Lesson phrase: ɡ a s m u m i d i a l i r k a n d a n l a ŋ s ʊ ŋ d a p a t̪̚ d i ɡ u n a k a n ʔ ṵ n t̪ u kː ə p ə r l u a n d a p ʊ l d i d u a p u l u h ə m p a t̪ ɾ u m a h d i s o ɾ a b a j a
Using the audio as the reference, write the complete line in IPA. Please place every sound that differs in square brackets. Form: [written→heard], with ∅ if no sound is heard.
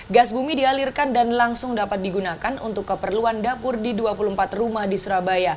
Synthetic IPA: ɡ a s [m→b] u m i d i a l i r k a n d a n l a ŋ s ʊ ŋ d a p a t̪̚ d i ɡ u n a k a n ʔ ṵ n t̪ [u→ʊ] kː ə p ə r l u a n d a p ʊ [l→r] d i d u a p u l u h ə m p a t̪ [ɾ→r] u m a h d i s [o→u] ɾ a b a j a